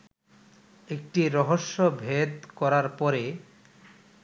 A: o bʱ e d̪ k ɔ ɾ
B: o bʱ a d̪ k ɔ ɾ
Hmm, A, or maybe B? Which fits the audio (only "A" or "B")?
A